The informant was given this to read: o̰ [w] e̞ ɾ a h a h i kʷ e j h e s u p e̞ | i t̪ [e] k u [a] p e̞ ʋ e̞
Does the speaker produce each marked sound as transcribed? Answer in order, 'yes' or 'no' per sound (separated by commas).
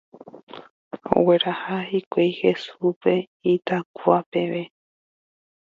yes, no, yes